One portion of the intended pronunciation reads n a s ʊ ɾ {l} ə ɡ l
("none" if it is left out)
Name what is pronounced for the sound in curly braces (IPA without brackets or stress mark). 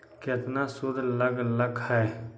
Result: l